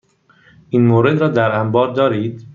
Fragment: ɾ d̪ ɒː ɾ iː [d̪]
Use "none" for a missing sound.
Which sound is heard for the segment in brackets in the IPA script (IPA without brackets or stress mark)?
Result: d̪